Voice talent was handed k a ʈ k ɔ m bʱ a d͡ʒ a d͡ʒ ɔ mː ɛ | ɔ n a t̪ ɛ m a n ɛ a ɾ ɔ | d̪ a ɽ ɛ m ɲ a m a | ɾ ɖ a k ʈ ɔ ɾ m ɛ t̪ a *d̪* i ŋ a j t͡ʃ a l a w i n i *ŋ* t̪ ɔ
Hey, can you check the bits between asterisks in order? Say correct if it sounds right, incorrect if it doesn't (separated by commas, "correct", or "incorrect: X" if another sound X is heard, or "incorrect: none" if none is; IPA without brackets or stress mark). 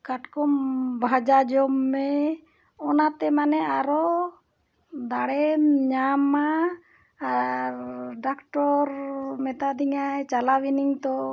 correct, correct